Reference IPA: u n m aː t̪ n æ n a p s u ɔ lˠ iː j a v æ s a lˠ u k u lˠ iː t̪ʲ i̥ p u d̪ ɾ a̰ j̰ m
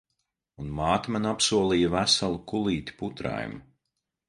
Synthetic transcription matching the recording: u n m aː t̪ m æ n a p s u ɔ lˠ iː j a v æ s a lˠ u k u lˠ iː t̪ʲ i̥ p u t̪ ɾ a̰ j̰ m